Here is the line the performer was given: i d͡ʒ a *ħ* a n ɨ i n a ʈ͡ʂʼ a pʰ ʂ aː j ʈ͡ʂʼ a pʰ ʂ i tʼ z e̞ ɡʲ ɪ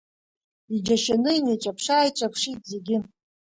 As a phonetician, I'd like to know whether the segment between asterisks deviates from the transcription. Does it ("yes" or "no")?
yes